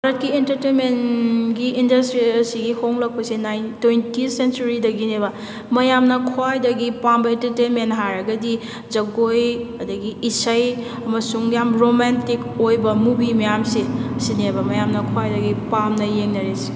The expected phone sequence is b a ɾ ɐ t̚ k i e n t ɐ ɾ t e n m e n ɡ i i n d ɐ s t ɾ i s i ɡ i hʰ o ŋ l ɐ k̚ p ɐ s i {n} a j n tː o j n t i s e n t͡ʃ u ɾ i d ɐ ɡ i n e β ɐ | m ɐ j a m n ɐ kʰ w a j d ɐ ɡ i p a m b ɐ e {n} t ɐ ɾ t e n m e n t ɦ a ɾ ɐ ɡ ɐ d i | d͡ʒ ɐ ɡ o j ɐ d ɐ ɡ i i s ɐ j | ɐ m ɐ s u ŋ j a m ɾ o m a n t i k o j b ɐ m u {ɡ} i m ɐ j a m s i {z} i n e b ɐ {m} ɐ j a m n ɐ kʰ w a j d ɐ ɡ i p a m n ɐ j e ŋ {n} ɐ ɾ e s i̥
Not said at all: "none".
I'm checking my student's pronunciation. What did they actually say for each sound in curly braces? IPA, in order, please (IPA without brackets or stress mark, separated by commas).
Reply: n, n, b, s, m, n